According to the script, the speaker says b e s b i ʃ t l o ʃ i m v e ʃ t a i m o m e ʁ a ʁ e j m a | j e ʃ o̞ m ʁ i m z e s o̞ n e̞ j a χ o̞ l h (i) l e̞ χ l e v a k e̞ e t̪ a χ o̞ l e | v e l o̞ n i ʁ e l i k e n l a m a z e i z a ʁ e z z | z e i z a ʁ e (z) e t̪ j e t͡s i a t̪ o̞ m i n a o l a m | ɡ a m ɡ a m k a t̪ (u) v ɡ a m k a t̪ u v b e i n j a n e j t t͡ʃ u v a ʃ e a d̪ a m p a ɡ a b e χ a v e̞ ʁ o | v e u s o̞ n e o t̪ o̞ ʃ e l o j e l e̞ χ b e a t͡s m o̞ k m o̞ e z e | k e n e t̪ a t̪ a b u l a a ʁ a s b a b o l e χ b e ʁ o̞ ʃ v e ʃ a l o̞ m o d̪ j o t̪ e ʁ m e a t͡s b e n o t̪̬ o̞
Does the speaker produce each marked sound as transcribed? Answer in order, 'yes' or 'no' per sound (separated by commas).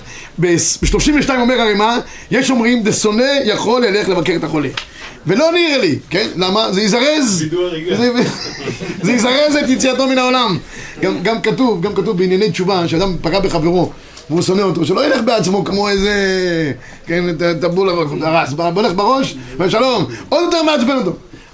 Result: no, yes, yes